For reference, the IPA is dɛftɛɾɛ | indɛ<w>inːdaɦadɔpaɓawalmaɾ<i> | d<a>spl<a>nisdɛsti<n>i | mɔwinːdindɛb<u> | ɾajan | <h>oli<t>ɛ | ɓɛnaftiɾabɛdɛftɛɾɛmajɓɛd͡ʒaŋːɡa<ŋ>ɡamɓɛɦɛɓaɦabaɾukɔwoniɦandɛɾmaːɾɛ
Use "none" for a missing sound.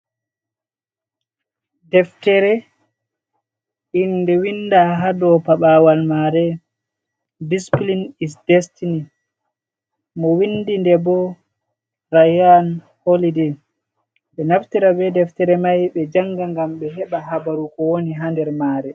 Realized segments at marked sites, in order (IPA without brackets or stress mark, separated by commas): w, ɛ, i, i, n, ɔ, h, d, ŋ